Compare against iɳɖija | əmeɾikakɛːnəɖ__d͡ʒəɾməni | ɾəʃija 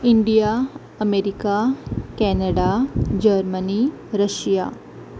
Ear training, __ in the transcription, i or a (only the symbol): a